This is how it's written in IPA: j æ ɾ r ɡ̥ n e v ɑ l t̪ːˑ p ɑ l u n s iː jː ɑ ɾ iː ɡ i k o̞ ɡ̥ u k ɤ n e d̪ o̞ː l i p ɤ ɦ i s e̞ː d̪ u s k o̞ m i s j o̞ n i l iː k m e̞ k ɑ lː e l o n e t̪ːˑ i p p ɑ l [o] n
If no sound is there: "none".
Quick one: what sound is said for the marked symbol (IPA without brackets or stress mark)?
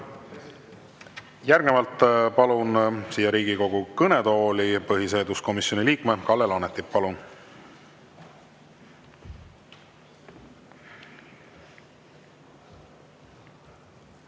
u